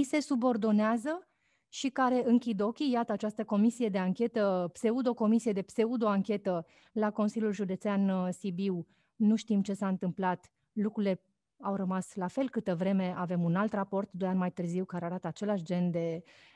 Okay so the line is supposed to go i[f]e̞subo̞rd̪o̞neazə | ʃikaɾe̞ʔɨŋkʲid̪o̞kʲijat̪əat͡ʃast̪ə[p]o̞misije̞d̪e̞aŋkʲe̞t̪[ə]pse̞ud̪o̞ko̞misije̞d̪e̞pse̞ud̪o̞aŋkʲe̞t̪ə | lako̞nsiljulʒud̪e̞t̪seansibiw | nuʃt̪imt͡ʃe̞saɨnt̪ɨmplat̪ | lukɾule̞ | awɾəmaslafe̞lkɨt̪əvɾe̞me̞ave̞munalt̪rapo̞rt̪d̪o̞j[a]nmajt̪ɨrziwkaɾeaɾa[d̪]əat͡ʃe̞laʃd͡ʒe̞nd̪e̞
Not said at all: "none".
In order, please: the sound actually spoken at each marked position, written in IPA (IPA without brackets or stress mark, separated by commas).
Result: s, k, ə, a, t̪